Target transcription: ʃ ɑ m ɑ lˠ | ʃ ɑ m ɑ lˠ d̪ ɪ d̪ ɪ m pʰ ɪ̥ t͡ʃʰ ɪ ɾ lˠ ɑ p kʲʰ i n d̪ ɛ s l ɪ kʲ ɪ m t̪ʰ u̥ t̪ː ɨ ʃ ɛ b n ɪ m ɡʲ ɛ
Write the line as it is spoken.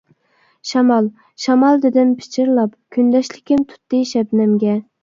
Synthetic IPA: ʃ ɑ m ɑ lˠ | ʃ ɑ m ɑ lˠ d̪ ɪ d̪ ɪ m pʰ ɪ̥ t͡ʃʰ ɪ ɾ lˠ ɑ p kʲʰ y n d̪ ɛ ʃ l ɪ kʲ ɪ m t̪ʰ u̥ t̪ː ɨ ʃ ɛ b n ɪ m ɡʲ ɛ